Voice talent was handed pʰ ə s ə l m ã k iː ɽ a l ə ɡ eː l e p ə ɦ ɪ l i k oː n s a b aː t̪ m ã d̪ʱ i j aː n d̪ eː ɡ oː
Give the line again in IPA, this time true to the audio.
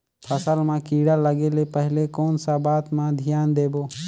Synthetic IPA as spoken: pʰ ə s ə l m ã k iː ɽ a l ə ɡ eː l e p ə ɦ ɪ l e k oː n s a b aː t̪ m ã d̪ʱ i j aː n d̪ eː b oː